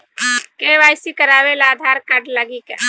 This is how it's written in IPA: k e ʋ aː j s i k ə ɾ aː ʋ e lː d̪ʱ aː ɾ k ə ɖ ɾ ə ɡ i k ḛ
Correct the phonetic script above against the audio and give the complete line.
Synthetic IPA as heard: k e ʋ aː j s i k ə ɾ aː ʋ e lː d̪ʱ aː ɾ k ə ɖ l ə ɡ i k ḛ